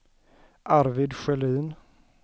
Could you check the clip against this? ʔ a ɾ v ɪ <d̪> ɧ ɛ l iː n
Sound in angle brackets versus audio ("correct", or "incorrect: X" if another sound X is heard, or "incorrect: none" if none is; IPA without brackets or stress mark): correct